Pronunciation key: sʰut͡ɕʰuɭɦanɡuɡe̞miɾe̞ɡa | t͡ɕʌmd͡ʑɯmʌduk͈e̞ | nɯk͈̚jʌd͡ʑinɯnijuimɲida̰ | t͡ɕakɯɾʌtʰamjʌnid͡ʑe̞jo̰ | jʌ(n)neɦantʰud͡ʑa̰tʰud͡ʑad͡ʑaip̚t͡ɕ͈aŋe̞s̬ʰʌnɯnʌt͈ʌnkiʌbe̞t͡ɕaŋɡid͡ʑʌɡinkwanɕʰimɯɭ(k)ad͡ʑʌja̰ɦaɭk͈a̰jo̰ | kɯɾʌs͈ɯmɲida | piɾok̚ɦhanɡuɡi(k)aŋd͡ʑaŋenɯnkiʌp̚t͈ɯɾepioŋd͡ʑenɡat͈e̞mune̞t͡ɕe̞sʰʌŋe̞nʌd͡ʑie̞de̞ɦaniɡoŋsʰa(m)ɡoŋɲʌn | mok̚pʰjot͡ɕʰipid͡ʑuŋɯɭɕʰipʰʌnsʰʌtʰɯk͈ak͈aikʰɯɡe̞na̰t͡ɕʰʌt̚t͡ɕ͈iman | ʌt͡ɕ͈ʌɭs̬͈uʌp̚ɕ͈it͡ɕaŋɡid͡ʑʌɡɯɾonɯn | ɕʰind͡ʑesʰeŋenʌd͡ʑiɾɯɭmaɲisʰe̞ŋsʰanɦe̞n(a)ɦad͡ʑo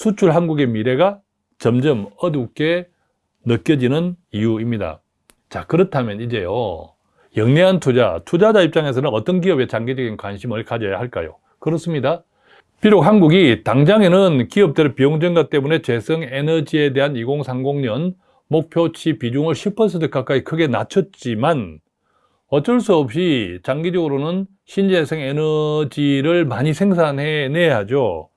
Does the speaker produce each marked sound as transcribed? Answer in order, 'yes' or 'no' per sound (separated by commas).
no, yes, no, no, no